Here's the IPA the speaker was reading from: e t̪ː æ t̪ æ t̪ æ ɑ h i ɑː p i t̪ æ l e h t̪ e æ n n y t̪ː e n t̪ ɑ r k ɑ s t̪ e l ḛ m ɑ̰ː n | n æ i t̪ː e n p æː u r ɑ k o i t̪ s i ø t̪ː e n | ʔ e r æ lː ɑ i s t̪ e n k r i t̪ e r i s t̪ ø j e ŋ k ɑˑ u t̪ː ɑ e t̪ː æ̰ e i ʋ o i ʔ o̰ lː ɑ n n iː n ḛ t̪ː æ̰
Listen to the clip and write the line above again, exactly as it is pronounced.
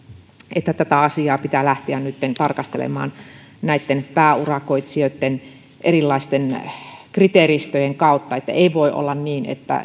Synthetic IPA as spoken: e t̪ː æ t̪ æ t̪ æ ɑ s i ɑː p i t̪ æ l æ h t̪ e æ n n y t̪ː e n t̪ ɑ r k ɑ s t̪ e l ḛ m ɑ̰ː n | n æ i t̪ː e n p æː u r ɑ k o i t̪ s i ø t̪ː e n | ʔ e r i lː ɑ i s t̪ e n k r i t̪ e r i s t̪ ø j e ŋ k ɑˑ u t̪ː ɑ e t̪ː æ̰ e i ʋ o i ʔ o̰ lː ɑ n n iː n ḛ t̪ː æ̰